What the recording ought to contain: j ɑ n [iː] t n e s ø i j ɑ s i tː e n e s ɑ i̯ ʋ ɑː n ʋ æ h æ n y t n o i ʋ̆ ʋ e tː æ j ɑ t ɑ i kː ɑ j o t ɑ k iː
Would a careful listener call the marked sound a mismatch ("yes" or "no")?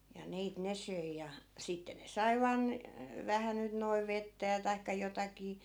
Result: no